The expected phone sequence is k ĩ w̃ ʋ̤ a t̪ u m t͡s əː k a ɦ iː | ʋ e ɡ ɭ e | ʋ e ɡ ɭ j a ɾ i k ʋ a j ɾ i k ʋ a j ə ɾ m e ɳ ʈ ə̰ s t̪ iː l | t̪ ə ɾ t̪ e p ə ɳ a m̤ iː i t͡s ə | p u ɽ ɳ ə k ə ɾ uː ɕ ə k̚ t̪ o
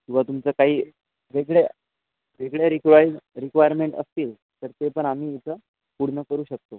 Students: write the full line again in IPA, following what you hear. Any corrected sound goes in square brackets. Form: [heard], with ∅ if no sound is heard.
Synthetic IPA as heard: k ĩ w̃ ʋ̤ a t̪ u m t͡s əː k a ɦ iː | ʋ e ɡ ɭ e | ʋ e ɡ ɭ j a ɾ i k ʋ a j ɾ i k ʋ a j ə ɾ m e ɳ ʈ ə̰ s t̪ iː l | t̪ ə ɾ t̪ e p ə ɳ a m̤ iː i t͡s ə | p u ɽ ɳ ə k ə ɾ uː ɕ ə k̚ t̪ o